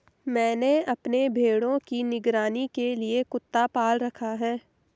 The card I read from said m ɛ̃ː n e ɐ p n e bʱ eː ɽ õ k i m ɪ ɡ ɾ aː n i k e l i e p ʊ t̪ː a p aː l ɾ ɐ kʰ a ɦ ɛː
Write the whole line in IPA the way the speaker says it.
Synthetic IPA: m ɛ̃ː n e ɐ p n e bʱ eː ɽ õ k i n ɪ ɡ ɾ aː n i k e l i e k ʊ t̪ː a p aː l ɾ ɐ kʰ a ɦ ɛː